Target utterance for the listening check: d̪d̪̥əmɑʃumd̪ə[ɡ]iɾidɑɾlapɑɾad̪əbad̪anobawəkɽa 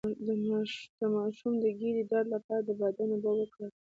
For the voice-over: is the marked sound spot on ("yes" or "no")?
yes